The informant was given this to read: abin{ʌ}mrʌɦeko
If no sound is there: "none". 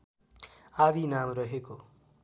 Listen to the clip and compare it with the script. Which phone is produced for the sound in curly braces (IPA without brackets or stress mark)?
a